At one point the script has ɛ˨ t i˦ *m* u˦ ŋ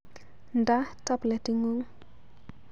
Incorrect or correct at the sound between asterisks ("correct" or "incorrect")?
incorrect